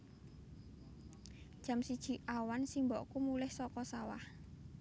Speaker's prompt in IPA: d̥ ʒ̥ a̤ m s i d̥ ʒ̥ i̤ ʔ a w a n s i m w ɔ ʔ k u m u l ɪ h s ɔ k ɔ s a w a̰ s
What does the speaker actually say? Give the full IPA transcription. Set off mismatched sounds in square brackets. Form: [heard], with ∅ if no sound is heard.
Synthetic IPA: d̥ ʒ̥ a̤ m s i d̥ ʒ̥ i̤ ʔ a w a n s i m [b] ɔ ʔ k u m u l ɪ h s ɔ k ɔ s a w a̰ [h]